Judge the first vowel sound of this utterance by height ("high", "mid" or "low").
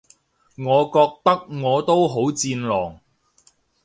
mid